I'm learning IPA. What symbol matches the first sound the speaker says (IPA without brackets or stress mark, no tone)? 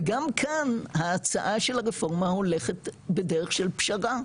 ɡ